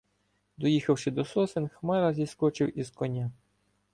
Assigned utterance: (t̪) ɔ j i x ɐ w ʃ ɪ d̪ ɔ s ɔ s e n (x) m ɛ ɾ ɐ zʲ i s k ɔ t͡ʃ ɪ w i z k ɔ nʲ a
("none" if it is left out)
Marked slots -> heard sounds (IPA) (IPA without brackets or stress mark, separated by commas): d̪, x